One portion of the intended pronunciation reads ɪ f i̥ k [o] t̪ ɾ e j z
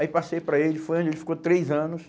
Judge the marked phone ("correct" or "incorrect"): correct